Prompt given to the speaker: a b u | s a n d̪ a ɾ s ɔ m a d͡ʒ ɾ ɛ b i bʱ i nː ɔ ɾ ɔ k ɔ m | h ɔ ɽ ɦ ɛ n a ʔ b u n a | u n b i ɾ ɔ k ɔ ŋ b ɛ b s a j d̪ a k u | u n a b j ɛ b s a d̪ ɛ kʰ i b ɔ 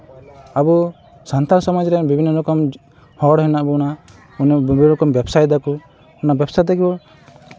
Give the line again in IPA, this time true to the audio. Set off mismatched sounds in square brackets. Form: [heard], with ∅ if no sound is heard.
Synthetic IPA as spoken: a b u | s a n [t̪] a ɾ s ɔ m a d͡ʒ ɾ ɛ b i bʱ i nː ɔ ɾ ɔ k ɔ m | h ɔ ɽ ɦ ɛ n a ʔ b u n a | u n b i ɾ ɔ k ɔ [m] b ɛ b s a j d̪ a k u | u n a b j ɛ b s a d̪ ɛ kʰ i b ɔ